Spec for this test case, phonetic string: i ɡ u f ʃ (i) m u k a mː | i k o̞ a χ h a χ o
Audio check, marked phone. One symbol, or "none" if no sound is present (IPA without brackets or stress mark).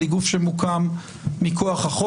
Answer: e